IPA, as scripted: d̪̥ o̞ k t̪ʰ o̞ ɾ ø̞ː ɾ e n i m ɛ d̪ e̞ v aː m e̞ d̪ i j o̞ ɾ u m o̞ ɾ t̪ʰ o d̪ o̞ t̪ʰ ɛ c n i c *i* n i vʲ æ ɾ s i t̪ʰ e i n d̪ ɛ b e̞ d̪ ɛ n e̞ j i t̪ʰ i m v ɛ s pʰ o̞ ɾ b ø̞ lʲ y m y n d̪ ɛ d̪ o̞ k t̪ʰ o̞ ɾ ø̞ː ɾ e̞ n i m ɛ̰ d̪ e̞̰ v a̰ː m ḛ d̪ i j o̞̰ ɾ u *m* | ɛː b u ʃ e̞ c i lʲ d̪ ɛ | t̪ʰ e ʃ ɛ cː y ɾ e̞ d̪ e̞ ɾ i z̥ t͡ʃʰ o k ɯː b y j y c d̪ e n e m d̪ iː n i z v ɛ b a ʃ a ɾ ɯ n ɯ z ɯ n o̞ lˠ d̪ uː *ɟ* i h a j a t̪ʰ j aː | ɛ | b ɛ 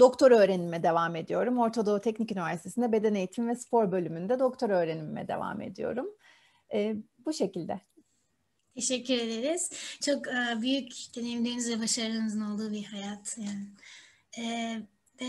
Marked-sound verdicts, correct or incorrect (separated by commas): incorrect, correct, incorrect